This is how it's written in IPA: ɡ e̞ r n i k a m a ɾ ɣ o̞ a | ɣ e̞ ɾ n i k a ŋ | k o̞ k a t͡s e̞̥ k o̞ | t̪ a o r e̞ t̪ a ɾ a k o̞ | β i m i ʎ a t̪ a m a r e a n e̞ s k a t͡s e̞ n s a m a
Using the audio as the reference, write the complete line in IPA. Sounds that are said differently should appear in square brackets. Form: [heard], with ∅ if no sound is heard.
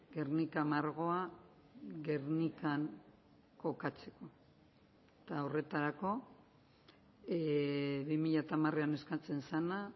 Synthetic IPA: ɡ e̞ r n i k a m a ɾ ɣ o̞ a | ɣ e̞ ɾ n i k a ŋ | k o̞ k a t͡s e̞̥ k o̞ | t̪ a o r e̞ t̪ a ɾ a k o̞ | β i m i ʎ a t̪ a m a r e a n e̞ s k a t͡s e̞ n s a [n] a

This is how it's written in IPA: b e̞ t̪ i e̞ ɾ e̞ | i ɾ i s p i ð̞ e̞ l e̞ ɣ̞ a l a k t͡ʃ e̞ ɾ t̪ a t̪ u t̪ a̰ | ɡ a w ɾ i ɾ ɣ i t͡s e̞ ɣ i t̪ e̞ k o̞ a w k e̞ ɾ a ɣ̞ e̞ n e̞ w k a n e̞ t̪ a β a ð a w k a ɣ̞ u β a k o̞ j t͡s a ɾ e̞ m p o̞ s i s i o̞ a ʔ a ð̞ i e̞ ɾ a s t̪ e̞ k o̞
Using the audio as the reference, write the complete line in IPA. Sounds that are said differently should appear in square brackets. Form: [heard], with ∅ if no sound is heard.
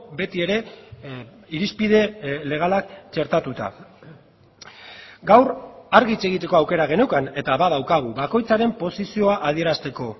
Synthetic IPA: b e̞ t̪ i e̞ ɾ e̞ | i ɾ i s p i ð̞ e̞ l e̞ ɣ̞ a l a k t͡ʃ e̞ ɾ t̪ a t̪ u t̪ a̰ | ɡ a w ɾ [a] ɾ ɣ i t͡s e̞ ɣ i t̪ e̞ k o̞ a w k e̞ ɾ a ɣ̞ e̞ n e̞ w k a n e̞ t̪ a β a ð a w k a ɣ̞ u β a k o̞ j t͡s a ɾ e̞ m p o̞ s i s i o̞ a ʔ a ð̞ i e̞ ɾ a s t̪ e̞ k o̞

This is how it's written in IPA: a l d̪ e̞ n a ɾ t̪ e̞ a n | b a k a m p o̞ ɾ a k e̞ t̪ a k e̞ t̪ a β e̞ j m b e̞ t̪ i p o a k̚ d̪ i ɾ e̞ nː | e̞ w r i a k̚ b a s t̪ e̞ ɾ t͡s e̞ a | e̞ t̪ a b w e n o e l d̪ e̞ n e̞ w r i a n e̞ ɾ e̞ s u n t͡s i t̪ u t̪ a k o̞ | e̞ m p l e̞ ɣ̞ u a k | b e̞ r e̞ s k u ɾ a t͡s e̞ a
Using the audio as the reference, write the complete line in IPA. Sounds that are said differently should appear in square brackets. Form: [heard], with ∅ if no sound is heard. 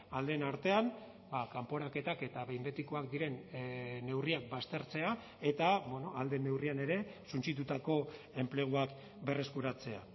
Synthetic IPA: a l d̪ e̞ n a ɾ t̪ e̞ a n | b a k a m p o̞ ɾ a k e̞ t̪ a k e̞ t̪ a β e̞ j m b e̞ t̪ i [k] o a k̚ d̪ i ɾ e̞ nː | e̞ w r i a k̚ b a s t̪ e̞ ɾ t͡s e̞ a | e̞ t̪ a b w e n o [a] l d̪ e̞ n e̞ w r i a n e̞ ɾ e̞ s u n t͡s i t̪ u t̪ a k o̞ | e̞ m p l e̞ ɣ̞ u a k | b e̞ r e̞ s k u ɾ a t͡s e̞ a

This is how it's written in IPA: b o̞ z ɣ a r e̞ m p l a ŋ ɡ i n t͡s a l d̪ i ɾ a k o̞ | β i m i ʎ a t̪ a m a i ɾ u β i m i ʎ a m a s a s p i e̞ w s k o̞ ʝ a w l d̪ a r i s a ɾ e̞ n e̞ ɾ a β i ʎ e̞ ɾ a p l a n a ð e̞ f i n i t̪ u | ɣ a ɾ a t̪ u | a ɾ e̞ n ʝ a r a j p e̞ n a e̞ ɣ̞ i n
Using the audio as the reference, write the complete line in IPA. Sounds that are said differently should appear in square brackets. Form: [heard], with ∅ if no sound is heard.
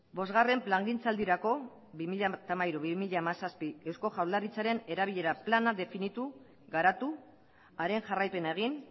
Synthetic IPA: b o̞ z ɣ a r e̞ m p l a ŋ ɡ i n t͡s a l d̪ i ɾ a k o̞ | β i m i ʎ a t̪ a m a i ɾ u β i m i ʎ a m a s a s p i e̞ w s k o̞ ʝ a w l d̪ a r i [t͡s] a ɾ e̞ n e̞ ɾ a β i ʎ e̞ ɾ a p l a n a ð e̞ f i n i t̪ u | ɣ a ɾ a t̪ u | a ɾ e̞ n ʝ a r a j p e̞ n a e̞ ɣ̞ i n

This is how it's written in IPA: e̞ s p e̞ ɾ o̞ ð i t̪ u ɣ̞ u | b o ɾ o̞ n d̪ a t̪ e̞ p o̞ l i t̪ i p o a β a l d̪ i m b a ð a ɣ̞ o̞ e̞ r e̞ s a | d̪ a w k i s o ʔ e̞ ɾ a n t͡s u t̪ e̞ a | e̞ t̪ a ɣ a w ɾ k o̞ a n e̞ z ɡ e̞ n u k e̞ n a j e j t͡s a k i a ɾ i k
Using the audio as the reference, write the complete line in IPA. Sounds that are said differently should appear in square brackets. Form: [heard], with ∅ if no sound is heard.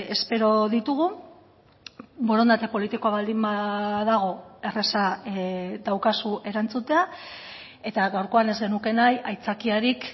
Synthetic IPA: e̞ s p e̞ ɾ o̞ ð i t̪ u ɣ̞ u | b o ɾ o̞ n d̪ a t̪ e̞ p o̞ l i t̪ i [k] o a β a l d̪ i m b a ð a ɣ̞ o̞ e̞ r e̞ s a | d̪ a w k [a] s [u] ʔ e̞ ɾ a n t͡s u t̪ e̞ a | e̞ t̪ a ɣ a w ɾ k o̞ a n e̞ z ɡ e̞ n u k e̞ n a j [a] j t͡s a k i a ɾ i k

